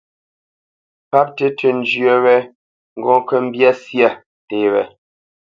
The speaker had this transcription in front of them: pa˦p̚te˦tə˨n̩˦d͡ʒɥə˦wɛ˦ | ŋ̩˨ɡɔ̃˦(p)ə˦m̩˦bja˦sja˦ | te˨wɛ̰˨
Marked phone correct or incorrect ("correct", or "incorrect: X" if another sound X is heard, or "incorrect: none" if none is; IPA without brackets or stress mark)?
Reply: incorrect: k